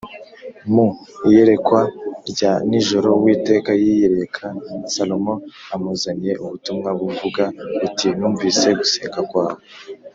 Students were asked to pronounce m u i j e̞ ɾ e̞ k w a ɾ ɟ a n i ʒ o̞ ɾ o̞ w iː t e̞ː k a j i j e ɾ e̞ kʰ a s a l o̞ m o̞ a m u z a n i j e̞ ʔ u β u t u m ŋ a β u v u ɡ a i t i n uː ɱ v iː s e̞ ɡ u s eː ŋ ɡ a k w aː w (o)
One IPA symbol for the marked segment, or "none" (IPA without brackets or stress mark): o